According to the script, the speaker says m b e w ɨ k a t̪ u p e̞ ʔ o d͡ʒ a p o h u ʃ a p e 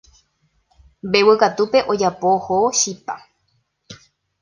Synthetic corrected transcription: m b e w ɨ k a t̪ u p e̞ ʔ o d͡ʒ a p o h o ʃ i p a